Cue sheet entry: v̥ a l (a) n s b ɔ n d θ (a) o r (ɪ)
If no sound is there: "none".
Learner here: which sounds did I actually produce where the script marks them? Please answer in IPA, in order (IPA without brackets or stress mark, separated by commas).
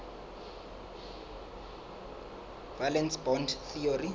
ɛ, i, i